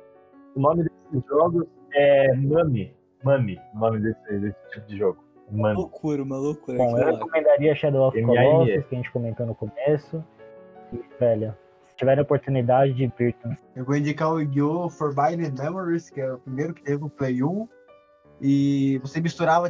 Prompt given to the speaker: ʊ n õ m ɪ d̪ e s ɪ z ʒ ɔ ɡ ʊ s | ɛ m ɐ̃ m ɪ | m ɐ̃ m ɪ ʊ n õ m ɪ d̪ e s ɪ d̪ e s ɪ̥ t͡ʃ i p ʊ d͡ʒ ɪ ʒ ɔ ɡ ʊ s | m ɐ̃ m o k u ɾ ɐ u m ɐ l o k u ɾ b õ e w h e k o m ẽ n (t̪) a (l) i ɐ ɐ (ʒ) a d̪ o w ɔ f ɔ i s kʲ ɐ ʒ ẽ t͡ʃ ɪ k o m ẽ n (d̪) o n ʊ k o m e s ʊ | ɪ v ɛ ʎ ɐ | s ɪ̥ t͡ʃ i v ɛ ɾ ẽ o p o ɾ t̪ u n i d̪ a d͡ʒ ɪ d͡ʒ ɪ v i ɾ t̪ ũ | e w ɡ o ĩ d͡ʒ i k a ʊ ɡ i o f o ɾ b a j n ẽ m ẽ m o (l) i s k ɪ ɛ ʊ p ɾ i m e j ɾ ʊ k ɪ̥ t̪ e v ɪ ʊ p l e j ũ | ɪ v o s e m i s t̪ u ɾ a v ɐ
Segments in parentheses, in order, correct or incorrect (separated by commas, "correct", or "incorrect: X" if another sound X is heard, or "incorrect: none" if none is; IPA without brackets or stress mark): incorrect: d̪, incorrect: ɾ, incorrect: ʃ, incorrect: t̪, incorrect: ɾ